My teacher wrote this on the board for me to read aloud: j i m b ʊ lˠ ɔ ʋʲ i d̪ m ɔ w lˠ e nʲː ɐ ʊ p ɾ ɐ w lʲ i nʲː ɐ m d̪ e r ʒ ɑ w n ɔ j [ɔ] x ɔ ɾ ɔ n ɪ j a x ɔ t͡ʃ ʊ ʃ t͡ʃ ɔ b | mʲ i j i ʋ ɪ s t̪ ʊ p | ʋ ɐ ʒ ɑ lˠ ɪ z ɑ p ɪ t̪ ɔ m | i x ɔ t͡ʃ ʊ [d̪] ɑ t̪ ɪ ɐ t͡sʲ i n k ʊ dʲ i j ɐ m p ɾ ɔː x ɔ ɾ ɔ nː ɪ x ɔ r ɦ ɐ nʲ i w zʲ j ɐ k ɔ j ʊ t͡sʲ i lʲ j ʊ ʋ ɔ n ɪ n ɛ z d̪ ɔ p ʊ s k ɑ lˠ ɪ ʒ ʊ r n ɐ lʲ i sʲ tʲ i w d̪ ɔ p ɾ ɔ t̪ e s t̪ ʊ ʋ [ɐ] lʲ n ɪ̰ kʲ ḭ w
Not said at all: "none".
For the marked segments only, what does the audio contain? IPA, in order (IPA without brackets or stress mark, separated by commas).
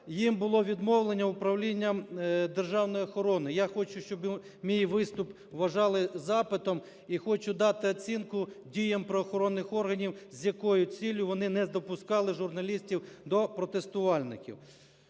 ɔ, d̪, ɑ